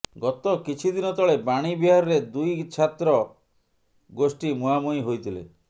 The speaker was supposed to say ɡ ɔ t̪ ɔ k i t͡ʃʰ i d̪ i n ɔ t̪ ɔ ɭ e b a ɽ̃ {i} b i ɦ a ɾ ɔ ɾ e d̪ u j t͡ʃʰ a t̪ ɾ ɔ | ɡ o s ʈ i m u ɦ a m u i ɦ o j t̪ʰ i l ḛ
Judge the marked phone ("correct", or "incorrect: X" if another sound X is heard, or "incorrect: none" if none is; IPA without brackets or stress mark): correct